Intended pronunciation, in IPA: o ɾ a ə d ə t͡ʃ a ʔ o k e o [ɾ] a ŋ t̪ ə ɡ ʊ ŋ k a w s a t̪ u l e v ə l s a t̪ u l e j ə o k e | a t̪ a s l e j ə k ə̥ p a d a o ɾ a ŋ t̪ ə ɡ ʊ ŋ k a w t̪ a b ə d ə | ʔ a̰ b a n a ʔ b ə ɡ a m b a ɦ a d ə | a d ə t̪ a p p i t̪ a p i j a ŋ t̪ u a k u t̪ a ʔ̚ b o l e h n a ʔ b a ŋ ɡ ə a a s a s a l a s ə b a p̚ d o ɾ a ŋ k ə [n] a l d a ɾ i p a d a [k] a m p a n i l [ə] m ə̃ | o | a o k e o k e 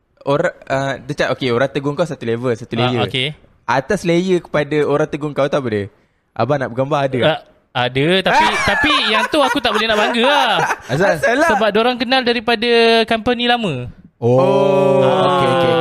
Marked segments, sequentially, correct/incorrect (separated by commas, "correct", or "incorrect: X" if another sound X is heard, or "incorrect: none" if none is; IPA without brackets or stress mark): correct, correct, correct, incorrect: a